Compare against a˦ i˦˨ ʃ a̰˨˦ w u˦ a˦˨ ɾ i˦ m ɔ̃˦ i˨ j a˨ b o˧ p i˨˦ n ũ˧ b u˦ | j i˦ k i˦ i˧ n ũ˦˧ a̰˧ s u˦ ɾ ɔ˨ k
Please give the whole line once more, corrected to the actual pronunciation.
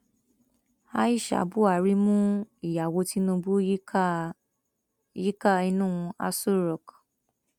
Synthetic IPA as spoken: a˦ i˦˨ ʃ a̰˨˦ b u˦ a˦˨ ɾ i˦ m ũ˦ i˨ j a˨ w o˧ t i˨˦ n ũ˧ b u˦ | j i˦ k a˦ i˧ n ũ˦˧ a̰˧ s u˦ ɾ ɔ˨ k

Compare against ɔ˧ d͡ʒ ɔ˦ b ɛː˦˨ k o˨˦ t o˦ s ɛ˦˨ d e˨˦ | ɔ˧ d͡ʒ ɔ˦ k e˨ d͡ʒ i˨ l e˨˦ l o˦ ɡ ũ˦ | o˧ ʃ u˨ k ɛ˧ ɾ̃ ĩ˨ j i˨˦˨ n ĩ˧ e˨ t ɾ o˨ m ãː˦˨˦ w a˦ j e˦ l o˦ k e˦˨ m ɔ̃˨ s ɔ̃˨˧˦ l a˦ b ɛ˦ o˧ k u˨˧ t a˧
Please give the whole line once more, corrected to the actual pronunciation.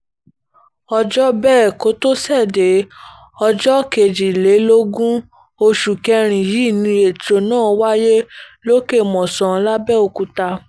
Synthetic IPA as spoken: ɔ˧ d͡ʒ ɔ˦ b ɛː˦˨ k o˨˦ t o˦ s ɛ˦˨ d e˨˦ | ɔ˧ d͡ʒ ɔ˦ k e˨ d͡ʒ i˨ l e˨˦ l o˦ ɡ ũ˦ | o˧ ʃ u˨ k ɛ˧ ɾ̃ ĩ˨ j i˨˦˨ n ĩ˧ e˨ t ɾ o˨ n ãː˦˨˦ w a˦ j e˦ l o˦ k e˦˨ m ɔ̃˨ s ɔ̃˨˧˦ l a˦ b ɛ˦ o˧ k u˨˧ t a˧

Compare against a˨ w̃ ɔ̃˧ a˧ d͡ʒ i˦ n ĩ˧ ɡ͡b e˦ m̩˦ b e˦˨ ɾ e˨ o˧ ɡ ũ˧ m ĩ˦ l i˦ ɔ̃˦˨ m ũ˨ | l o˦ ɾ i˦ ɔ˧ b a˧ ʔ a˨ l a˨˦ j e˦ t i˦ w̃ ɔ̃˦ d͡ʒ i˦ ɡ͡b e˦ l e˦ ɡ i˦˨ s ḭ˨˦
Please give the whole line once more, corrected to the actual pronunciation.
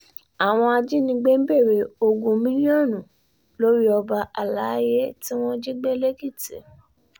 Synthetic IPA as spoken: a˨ w̃ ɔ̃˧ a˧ d͡ʒ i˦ n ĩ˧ ɡ͡b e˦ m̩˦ b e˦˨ ɾ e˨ o˧ ɡ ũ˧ m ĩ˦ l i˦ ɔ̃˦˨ n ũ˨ | l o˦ ɾ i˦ ɔ˧ b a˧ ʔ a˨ l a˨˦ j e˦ t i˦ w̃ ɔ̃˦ d͡ʒ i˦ ɡ͡b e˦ l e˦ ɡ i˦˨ t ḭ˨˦

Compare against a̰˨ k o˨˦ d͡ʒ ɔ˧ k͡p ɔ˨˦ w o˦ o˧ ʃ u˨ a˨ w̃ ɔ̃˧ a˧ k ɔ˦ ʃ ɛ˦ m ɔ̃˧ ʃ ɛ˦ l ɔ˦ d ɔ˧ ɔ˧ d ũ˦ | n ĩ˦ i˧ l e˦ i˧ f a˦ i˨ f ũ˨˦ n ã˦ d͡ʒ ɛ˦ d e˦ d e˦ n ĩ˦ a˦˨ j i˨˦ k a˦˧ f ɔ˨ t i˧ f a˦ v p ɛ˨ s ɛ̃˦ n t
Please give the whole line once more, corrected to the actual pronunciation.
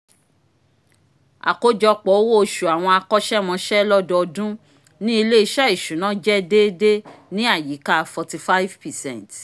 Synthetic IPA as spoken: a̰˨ k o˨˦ d͡ʒ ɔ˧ k͡p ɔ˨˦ w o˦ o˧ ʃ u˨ a˨ w̃ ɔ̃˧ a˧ k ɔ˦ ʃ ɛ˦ m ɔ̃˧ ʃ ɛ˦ l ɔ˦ d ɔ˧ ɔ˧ d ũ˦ | n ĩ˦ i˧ l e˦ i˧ ʃ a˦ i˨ ʃ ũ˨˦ n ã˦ d͡ʒ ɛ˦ d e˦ d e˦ n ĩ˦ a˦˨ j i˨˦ k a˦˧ f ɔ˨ t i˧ f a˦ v p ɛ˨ s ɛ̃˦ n t

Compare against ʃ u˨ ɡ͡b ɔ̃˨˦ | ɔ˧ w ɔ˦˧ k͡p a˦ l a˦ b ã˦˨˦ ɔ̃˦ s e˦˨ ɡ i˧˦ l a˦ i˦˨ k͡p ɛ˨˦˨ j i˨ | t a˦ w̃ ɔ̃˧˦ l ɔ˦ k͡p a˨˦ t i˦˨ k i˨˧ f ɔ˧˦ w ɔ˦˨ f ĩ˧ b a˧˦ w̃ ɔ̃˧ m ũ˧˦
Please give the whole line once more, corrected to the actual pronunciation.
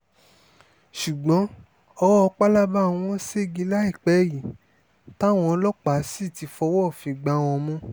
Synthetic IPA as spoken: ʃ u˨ ɡ͡b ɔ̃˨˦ | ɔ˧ w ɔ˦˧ k͡p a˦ l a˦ b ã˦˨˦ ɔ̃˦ s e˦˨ ɡ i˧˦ l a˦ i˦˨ k͡p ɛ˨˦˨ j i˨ | t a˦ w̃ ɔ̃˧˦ l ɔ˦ k͡p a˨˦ s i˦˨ t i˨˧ f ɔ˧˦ w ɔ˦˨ f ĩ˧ ɡ͡b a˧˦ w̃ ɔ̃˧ m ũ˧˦

